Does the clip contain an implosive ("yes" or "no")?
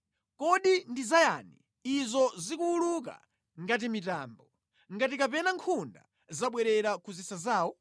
yes